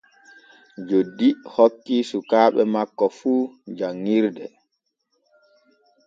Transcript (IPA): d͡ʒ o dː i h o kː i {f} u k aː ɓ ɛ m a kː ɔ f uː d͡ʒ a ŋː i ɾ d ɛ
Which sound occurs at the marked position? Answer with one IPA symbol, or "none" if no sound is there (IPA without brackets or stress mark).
s